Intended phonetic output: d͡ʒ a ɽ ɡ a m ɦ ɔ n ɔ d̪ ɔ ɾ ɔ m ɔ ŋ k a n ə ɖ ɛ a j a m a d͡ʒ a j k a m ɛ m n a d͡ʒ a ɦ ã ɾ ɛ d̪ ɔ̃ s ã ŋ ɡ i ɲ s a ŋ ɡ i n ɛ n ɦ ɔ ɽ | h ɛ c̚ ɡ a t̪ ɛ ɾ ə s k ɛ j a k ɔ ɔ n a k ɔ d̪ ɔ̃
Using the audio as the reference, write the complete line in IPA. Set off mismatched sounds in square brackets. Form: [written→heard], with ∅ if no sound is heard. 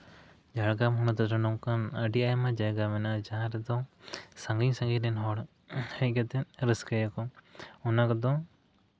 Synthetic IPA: d͡ʒ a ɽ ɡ a m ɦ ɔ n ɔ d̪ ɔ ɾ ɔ [m→n] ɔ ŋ k a n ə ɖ [ɛ→i] a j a m a d͡ʒ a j [k→ɡ] a m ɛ [m→∅] n a d͡ʒ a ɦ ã ɾ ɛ d̪ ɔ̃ s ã ŋ ɡ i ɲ s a ŋ ɡ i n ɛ n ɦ ɔ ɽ | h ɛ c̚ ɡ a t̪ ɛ ɾ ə s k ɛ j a k ɔ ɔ n a k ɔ d̪ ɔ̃